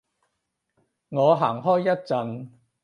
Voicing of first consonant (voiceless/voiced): voiced